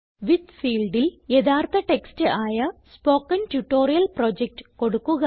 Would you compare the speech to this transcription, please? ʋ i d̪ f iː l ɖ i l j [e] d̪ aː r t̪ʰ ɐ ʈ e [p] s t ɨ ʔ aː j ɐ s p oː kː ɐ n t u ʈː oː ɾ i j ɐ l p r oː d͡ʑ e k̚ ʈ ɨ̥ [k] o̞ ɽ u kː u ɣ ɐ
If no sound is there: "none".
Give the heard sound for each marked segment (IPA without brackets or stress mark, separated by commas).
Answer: e, k, k